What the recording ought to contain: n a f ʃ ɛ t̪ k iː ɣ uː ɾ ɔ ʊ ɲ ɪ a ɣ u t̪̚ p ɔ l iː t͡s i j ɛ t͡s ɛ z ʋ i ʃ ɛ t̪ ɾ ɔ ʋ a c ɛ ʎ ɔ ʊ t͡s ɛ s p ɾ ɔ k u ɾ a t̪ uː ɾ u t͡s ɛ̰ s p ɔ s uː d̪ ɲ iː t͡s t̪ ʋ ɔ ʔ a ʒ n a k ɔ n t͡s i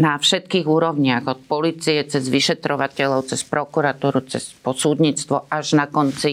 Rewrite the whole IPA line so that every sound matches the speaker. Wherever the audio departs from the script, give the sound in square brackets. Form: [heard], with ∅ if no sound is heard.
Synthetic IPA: n a f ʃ ɛ t̪ k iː ɣ uː ɾ ɔ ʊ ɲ ɪ a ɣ [ɔ] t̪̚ p ɔ l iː t͡s i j ɛ t͡s ɛ z ʋ i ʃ ɛ t̪ ɾ ɔ ʋ a c ɛ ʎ ɔ ʊ t͡s ɛ s p ɾ ɔ k u ɾ a t̪ uː ɾ u t͡s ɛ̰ s p ɔ s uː d̪ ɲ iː t͡s t̪ ʋ ɔ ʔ a ʒ n a k ɔ n t͡s i